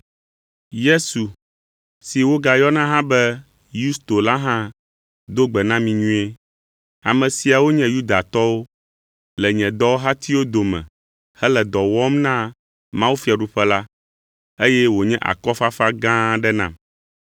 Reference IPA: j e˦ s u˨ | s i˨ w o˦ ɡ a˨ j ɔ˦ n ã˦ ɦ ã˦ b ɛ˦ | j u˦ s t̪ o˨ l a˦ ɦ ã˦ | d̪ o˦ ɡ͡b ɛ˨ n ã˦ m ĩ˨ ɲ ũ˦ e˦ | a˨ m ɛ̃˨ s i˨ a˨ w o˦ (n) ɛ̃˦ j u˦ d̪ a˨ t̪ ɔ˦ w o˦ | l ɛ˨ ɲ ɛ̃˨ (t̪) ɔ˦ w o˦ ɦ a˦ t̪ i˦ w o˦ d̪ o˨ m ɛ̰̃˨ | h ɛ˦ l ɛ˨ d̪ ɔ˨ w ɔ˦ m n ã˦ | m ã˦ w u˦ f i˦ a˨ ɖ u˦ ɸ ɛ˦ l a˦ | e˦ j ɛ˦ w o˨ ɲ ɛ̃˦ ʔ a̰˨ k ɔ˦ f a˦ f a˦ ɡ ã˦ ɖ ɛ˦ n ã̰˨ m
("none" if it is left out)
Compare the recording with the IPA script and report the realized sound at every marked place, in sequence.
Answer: ɲ, d̪

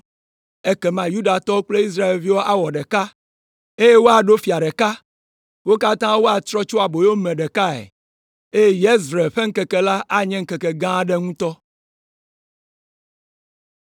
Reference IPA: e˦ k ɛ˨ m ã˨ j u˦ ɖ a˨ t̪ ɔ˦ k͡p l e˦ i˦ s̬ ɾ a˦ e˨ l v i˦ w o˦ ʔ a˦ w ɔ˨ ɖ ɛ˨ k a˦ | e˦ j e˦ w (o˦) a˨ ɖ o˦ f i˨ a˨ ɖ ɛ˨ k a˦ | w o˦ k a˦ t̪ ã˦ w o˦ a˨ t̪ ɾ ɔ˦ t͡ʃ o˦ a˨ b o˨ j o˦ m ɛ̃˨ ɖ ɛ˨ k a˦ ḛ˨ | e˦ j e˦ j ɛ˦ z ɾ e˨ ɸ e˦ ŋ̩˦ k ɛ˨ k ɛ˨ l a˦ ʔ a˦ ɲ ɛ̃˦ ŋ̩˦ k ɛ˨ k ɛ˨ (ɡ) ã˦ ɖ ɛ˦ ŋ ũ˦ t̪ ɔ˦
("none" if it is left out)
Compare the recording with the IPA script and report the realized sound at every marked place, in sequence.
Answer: o˦, ɡ

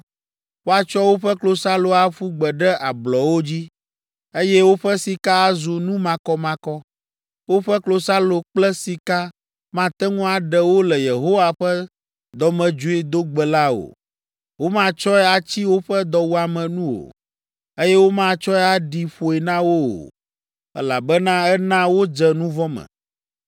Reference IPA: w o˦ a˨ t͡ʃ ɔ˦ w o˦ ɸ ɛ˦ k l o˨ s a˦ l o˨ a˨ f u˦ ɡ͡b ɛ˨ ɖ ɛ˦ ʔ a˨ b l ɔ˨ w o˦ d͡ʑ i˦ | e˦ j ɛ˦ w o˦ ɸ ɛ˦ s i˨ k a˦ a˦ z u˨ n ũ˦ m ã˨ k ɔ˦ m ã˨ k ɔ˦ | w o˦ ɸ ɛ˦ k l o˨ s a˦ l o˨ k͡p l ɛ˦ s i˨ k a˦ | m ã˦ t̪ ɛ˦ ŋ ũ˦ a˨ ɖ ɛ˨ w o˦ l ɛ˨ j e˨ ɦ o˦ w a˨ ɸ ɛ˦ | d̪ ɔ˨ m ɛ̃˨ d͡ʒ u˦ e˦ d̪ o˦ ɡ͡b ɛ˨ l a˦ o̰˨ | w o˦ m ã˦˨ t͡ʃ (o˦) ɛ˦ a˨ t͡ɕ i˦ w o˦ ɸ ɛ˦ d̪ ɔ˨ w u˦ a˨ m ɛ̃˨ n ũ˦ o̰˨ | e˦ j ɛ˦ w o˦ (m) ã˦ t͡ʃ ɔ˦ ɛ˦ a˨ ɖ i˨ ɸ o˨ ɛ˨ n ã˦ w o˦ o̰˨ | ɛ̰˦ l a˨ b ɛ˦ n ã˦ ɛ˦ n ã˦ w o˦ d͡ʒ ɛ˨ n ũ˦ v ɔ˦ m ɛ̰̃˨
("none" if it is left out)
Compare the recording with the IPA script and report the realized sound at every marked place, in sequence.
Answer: ɔ˦, m

